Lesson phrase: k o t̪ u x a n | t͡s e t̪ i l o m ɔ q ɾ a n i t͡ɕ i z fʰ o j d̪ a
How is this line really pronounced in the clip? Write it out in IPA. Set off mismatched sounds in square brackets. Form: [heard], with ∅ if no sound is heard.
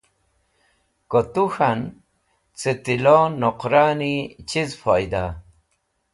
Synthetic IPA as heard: k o t̪ u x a n | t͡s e t̪ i l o [n] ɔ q ɾ a n i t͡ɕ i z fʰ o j d̪ a